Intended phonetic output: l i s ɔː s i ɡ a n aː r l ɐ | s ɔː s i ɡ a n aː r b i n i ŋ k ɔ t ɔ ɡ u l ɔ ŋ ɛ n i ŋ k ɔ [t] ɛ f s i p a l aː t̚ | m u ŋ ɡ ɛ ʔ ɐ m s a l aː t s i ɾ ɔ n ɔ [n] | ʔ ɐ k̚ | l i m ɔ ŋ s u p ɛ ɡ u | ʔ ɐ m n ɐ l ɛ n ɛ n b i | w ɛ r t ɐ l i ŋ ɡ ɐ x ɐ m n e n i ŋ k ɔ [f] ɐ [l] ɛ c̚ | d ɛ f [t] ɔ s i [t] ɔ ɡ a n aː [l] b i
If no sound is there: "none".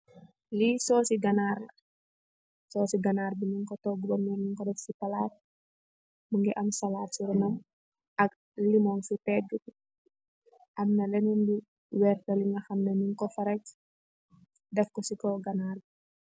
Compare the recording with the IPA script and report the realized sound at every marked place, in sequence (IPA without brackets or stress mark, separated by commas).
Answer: d, m, f, ɾ, k, k, r